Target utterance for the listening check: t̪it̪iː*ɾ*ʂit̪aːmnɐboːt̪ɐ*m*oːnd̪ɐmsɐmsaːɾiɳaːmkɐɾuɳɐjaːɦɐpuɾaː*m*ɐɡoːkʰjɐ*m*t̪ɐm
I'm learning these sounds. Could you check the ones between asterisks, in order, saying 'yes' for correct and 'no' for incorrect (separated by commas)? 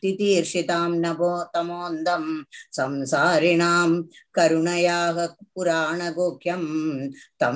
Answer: yes, yes, no, yes